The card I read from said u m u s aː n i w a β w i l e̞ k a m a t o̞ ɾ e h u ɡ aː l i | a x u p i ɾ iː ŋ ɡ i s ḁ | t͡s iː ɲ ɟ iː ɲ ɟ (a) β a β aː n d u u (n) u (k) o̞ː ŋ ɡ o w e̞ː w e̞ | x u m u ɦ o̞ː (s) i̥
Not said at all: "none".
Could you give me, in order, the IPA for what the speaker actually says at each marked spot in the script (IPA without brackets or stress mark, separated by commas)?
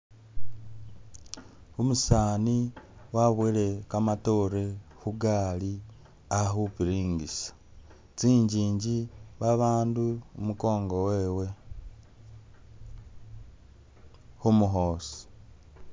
i, m, k, s